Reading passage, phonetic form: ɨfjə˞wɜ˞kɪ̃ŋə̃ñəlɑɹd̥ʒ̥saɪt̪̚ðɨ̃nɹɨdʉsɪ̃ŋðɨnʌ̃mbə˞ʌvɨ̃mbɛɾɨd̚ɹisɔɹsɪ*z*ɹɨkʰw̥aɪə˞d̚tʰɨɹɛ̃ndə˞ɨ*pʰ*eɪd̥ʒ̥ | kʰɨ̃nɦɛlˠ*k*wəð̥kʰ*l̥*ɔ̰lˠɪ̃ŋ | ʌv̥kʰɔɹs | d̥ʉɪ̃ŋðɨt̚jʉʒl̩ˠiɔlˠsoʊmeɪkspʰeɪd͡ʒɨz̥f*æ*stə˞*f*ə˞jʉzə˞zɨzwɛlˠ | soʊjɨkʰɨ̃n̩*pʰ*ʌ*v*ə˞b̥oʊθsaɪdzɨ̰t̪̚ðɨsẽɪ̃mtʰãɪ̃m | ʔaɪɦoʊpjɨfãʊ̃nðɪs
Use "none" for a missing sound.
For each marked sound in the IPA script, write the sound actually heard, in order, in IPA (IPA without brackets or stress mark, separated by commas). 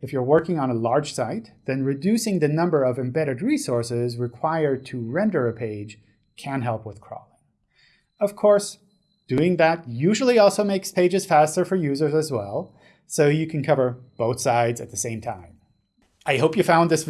z, pʰ, p, ɹ̥, æ, f, kʰ, v